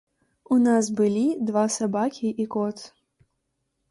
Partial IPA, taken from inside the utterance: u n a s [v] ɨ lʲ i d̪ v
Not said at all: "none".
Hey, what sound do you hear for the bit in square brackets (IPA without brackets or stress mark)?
b